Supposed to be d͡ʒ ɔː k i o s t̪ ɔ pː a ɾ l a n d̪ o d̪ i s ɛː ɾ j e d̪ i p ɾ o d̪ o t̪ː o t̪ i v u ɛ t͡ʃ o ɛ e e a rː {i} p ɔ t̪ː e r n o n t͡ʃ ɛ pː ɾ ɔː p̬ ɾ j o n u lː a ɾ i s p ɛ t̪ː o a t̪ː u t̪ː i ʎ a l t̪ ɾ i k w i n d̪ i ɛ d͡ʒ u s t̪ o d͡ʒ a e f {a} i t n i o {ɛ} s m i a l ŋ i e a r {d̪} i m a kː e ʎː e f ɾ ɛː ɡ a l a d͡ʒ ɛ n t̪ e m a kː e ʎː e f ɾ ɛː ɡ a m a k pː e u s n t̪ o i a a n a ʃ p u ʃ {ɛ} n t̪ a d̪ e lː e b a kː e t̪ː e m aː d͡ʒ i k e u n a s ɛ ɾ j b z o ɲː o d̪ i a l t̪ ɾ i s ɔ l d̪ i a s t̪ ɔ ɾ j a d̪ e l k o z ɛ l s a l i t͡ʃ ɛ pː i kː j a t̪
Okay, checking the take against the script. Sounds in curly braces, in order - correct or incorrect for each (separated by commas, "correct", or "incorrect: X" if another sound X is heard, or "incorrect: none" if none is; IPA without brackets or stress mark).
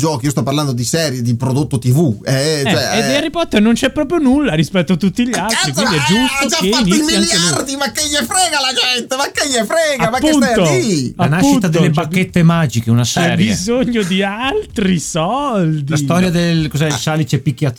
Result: correct, correct, incorrect: i, correct, incorrect: i